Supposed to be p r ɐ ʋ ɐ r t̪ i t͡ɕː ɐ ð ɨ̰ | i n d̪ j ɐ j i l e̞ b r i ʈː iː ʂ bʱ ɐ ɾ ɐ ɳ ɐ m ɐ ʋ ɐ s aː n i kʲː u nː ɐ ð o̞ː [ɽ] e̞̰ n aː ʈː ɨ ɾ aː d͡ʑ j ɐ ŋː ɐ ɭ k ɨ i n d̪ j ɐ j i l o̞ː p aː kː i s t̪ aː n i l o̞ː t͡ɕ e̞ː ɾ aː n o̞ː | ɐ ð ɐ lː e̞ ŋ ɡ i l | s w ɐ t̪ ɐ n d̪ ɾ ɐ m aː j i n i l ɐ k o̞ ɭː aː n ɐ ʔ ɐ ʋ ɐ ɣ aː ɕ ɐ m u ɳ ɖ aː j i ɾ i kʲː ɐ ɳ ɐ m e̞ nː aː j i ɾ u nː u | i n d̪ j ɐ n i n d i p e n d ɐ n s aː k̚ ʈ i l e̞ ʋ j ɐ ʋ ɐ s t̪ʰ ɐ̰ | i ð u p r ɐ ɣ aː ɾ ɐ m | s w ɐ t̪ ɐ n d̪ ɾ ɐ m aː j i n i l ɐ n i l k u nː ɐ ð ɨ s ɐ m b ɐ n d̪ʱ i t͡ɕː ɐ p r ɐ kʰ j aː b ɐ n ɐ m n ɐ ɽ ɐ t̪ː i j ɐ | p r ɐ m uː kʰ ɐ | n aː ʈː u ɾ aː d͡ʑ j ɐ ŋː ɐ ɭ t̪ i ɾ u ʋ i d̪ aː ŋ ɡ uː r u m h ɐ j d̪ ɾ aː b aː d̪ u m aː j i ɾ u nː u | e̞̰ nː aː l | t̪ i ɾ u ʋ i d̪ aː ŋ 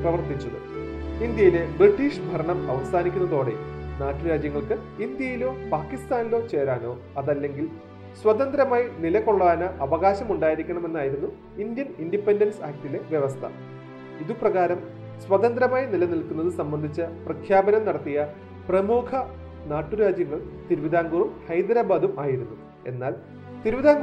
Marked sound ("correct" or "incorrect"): correct